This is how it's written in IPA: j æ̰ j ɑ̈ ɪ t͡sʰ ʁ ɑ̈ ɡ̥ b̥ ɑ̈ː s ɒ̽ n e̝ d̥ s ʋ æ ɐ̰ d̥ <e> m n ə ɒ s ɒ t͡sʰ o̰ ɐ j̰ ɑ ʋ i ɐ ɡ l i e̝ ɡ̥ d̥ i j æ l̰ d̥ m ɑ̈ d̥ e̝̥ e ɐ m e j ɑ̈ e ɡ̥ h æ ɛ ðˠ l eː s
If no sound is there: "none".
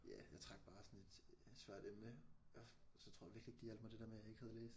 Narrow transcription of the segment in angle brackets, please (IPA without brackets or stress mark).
e